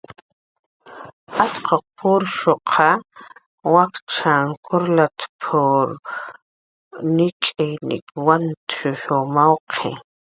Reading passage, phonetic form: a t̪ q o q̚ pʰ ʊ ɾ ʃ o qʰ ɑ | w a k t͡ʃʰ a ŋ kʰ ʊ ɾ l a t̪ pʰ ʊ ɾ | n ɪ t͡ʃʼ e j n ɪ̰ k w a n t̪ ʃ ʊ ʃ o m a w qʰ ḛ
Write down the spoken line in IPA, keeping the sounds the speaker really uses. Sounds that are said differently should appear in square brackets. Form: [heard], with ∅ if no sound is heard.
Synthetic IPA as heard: a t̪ q o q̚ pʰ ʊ ɾ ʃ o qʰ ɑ | w a k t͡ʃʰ a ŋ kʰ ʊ ɾ l a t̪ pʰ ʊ ɾ | n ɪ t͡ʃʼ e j n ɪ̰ k w a n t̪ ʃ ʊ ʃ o m a w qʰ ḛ